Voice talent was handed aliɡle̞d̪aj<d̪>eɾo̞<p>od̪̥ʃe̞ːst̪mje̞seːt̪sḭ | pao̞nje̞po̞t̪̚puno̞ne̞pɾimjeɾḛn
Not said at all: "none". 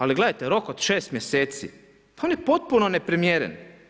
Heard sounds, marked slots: t̪, k

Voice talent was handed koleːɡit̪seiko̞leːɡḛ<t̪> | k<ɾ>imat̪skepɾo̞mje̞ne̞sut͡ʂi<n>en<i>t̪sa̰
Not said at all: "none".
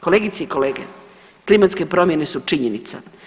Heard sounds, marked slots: none, l, ɲ, i

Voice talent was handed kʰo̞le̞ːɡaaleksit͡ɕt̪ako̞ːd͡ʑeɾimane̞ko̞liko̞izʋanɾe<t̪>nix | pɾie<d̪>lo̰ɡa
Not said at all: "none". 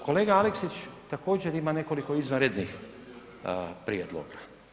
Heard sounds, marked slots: d̪, d̪

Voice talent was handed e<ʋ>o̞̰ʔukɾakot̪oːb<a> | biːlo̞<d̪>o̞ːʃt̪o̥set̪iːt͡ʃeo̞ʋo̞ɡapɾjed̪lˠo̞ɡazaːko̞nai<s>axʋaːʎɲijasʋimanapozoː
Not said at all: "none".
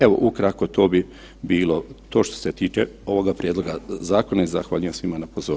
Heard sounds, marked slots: ʋ, i, t̪, z

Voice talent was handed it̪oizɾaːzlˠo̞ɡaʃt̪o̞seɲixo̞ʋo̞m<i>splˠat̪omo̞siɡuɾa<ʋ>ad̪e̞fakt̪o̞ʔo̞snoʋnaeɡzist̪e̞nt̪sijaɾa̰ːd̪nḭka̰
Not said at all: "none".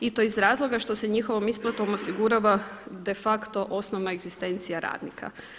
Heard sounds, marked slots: i, ʋ

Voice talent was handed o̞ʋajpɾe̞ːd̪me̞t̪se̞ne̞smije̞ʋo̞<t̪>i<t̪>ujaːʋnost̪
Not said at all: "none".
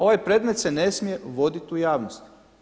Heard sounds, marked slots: d̪, t̪

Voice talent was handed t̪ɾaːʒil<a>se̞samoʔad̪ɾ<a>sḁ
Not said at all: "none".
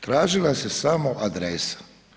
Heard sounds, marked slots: a, e

